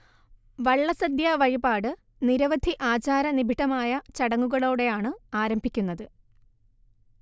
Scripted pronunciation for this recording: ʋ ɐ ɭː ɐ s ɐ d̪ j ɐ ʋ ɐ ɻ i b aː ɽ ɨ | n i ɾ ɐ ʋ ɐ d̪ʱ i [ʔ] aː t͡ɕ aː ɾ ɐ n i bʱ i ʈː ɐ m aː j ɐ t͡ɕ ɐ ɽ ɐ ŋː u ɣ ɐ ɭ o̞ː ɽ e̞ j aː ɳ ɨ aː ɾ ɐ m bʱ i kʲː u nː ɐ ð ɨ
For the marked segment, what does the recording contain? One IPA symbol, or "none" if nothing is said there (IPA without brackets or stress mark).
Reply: ʔ